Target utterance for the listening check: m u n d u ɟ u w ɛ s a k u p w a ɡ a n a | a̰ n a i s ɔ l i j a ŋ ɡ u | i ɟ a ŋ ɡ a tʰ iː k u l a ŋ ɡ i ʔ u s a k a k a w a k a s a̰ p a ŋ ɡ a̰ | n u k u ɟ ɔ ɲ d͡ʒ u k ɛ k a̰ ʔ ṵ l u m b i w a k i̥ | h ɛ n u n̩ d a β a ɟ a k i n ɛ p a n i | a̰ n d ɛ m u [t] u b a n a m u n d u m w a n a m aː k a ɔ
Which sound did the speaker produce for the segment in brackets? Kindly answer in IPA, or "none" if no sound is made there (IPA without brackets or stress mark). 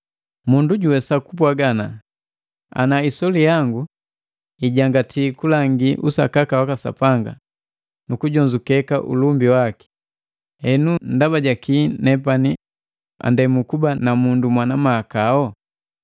k